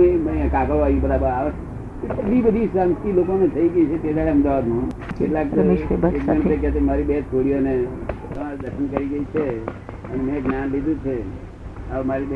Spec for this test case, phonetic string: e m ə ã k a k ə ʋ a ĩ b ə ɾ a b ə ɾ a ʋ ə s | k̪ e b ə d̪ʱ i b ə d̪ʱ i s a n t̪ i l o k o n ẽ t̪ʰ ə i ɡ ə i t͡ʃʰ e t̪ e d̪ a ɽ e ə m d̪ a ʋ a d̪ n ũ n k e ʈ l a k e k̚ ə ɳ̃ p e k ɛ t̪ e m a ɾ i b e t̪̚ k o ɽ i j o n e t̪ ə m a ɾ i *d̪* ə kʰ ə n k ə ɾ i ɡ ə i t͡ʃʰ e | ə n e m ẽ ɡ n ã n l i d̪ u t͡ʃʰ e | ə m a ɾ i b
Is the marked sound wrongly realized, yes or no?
no